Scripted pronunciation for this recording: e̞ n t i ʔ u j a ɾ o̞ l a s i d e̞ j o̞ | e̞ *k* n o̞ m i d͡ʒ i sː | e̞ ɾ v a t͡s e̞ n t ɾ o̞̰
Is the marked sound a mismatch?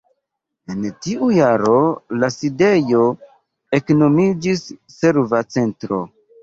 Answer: no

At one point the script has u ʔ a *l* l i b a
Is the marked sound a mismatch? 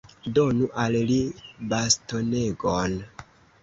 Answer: no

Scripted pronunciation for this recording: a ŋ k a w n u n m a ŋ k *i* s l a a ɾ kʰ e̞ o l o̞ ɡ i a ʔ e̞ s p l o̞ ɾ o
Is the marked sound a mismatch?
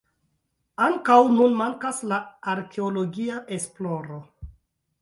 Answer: yes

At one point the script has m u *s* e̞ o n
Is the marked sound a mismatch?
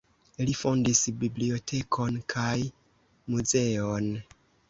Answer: yes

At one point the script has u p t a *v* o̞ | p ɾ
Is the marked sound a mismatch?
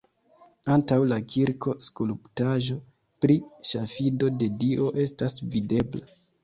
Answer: yes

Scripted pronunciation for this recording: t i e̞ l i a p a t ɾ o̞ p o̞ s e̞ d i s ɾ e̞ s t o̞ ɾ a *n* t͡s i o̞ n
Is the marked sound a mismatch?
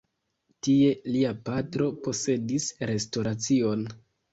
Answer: yes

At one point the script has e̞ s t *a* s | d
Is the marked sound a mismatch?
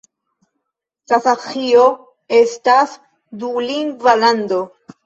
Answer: no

